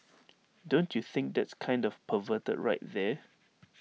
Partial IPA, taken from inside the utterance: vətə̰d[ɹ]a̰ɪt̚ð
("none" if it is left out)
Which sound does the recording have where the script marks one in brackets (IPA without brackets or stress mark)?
ɹ